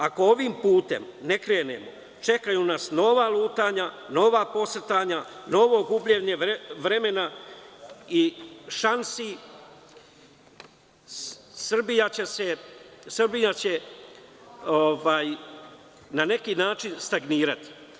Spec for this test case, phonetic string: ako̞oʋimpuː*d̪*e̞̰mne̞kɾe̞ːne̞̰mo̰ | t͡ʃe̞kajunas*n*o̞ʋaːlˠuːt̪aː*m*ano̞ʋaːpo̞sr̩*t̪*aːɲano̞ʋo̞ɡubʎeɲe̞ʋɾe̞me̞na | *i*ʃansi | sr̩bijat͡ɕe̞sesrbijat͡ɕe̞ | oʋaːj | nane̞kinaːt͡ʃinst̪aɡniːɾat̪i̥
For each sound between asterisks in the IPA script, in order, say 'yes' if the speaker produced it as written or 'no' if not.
no, yes, no, yes, yes

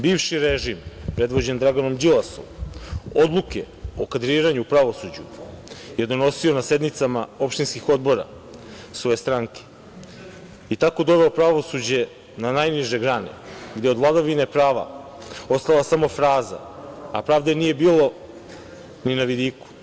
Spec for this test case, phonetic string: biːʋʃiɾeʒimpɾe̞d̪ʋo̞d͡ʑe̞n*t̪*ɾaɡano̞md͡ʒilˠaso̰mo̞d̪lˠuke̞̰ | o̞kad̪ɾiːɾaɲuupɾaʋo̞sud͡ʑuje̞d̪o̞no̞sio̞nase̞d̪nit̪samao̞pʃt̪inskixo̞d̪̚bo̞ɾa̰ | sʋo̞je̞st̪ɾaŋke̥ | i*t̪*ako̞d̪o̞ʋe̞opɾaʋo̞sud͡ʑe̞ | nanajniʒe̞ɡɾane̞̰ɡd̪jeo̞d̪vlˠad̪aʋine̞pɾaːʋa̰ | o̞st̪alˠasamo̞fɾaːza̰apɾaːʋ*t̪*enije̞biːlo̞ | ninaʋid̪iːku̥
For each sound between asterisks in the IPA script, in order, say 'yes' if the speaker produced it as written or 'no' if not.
no, yes, no

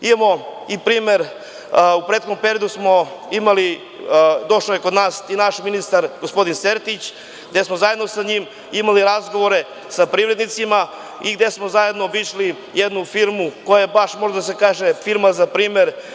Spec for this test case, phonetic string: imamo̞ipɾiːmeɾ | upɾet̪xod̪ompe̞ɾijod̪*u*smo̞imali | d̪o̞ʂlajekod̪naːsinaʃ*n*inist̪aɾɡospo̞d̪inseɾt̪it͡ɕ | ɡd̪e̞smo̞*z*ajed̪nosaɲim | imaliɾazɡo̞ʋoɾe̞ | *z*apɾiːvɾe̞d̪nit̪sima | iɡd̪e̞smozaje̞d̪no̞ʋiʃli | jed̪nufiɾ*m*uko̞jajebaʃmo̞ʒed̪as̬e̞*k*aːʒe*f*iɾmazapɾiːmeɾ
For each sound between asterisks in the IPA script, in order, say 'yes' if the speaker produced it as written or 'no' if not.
yes, no, yes, no, yes, yes, yes

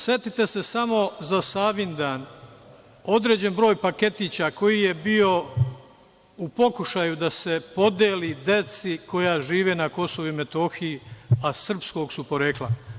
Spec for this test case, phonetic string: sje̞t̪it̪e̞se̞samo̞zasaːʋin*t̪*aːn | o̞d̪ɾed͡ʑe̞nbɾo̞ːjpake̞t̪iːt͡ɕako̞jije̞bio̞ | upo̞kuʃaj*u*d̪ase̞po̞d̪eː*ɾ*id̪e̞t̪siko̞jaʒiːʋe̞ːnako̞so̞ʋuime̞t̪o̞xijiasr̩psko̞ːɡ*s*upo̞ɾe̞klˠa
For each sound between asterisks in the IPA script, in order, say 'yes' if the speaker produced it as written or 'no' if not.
no, yes, no, yes

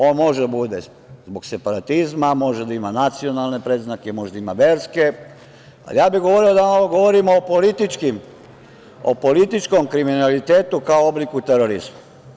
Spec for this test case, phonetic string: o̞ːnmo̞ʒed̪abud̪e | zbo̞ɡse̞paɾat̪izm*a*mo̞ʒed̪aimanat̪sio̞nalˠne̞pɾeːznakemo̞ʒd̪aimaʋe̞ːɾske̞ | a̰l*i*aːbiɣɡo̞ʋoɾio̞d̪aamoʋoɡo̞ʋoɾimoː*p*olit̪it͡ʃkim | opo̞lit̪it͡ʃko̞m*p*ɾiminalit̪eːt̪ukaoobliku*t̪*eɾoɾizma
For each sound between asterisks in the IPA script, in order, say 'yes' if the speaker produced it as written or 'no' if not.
yes, no, yes, no, yes

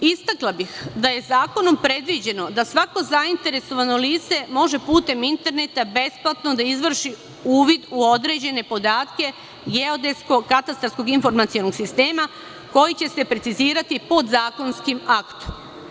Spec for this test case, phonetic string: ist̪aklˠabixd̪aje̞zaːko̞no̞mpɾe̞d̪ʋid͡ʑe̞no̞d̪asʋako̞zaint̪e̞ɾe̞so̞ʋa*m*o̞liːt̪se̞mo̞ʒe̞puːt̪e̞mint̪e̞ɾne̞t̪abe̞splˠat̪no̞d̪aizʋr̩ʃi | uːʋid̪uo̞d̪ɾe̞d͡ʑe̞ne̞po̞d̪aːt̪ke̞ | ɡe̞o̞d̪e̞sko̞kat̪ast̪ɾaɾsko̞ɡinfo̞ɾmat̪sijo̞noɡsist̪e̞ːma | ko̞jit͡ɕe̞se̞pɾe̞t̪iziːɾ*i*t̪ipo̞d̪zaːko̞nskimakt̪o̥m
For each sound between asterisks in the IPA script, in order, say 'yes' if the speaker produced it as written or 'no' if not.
no, no

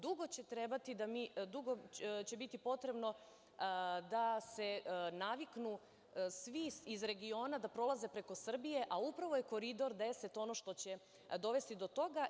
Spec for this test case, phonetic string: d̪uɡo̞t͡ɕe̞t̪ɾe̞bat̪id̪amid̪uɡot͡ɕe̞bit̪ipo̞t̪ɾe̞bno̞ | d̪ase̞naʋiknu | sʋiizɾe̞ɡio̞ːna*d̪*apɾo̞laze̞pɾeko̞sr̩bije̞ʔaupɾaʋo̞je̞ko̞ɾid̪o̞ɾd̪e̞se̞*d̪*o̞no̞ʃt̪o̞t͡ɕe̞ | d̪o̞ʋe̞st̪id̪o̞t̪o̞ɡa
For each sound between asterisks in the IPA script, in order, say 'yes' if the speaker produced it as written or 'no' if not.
yes, no

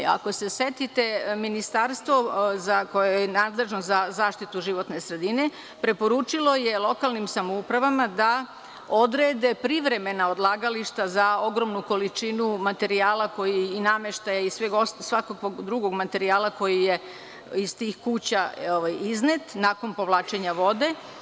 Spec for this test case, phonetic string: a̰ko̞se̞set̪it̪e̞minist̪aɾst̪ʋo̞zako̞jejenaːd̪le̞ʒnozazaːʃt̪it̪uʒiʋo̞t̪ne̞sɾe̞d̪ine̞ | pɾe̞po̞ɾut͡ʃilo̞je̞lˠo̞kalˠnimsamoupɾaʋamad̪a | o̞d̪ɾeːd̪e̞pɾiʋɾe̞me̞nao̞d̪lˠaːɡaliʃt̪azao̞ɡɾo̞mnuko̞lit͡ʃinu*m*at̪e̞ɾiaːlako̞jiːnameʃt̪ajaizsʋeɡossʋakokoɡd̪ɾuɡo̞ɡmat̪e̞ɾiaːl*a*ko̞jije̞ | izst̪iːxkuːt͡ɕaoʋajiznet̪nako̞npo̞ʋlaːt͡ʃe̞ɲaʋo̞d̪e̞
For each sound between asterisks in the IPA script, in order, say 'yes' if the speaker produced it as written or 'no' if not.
yes, yes

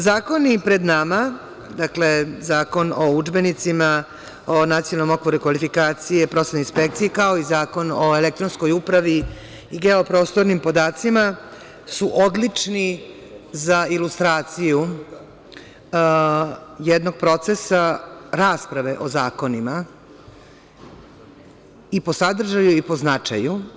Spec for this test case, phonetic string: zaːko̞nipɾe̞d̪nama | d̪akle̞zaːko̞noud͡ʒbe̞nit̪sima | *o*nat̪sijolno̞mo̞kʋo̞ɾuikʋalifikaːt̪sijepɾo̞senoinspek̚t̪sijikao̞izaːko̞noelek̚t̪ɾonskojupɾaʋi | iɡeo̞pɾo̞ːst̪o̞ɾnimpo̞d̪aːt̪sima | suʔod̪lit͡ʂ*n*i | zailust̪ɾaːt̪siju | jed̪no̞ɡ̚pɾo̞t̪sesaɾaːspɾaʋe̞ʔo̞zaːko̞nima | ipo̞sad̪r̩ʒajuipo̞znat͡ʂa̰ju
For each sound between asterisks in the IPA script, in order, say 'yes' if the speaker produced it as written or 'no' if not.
yes, yes

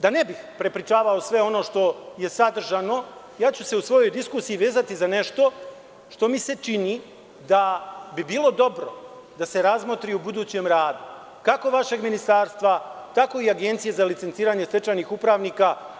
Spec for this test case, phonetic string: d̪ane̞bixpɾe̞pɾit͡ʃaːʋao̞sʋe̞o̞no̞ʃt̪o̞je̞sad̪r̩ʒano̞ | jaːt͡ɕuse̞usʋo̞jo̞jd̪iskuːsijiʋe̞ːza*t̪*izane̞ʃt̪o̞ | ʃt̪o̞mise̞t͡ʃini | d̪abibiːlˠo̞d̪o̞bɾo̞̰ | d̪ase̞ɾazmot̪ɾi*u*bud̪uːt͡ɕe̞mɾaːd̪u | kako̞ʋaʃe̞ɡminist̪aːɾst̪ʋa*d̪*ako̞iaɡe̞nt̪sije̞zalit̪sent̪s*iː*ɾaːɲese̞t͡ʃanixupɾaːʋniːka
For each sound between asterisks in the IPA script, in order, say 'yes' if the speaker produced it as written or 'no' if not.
yes, yes, no, yes

